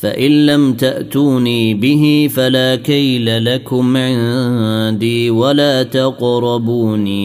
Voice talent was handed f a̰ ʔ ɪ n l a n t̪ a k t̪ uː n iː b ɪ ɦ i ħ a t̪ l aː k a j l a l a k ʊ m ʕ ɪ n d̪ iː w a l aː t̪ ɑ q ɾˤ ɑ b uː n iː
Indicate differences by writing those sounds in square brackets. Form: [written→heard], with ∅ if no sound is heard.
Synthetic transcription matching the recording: f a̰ ʔ ɪ n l a [n→m] t̪ a [k→ʔ] t̪ uː n iː b ɪ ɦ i [ħ→f] a [t̪→∅] l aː k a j l a l a k ʊ m ʕ ɪ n d̪ iː w a l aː t̪ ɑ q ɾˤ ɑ b uː n iː